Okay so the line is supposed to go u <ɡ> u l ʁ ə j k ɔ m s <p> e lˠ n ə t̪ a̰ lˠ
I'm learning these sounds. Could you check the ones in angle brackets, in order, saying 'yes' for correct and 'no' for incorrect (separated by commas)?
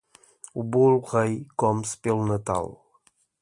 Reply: no, yes